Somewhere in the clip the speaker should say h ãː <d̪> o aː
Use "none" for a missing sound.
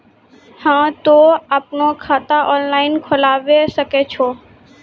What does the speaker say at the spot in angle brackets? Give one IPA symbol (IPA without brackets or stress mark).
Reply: t̪